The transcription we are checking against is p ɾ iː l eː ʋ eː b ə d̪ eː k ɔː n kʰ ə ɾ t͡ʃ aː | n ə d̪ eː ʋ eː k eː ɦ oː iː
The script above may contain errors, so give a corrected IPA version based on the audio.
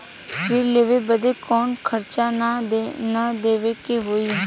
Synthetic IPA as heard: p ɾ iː l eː ʋ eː b ə d̪ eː k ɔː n kʰ ə ɾ t͡ʃ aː | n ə d̪ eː ʋ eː k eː ɦ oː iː